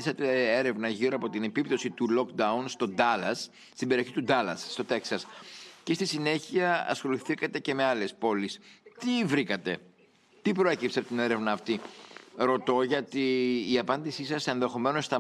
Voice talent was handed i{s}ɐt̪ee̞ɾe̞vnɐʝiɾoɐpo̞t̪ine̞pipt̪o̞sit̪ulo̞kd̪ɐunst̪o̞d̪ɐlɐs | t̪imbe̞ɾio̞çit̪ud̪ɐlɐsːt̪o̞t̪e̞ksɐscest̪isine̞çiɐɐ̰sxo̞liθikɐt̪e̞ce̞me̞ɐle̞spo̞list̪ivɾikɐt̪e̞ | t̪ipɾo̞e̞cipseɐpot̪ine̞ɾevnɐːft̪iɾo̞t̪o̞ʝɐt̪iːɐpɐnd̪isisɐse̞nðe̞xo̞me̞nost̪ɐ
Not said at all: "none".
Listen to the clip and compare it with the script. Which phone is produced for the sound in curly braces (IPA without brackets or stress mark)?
s